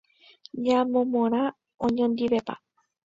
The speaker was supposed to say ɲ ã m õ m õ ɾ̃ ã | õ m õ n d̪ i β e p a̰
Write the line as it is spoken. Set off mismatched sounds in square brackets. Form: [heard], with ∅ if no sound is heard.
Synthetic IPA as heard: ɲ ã m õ m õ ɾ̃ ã | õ [ɲ] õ n d̪ i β e p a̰